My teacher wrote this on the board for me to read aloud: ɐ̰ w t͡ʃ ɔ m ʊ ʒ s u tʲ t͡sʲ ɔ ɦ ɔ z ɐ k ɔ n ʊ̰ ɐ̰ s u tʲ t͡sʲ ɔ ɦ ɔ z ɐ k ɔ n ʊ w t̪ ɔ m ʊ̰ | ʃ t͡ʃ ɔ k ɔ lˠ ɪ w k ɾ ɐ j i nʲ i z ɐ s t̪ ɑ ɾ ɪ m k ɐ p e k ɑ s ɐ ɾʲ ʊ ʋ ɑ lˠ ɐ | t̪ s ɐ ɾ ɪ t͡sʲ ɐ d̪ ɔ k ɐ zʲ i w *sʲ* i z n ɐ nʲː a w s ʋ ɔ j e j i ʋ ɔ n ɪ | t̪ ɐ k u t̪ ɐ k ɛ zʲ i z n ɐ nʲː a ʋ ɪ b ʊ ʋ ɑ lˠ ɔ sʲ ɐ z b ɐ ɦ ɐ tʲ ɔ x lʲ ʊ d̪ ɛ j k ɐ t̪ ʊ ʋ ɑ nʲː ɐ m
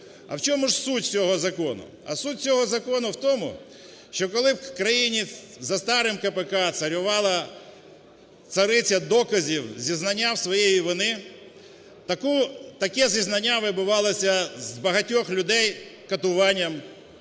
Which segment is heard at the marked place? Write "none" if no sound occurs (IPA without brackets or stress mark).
zʲ